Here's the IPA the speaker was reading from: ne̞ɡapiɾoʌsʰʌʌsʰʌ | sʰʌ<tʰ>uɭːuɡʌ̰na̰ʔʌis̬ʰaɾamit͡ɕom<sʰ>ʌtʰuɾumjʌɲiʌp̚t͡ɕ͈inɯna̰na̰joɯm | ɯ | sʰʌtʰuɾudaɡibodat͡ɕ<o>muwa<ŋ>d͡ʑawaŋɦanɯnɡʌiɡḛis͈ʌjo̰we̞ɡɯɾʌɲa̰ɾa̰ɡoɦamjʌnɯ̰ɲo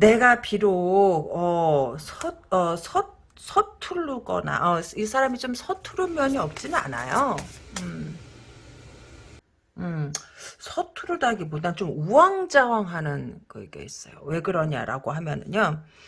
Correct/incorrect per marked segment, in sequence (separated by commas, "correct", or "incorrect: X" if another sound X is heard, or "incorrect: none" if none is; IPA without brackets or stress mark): correct, correct, correct, correct